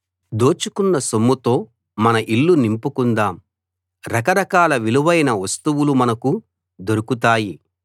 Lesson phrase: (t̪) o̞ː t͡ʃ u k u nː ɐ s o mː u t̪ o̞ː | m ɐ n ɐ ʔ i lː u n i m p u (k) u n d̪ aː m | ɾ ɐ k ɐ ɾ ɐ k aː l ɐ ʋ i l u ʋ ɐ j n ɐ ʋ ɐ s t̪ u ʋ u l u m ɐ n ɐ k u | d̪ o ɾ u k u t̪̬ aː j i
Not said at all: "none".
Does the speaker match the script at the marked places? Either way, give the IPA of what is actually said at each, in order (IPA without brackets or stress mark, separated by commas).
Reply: d̪, k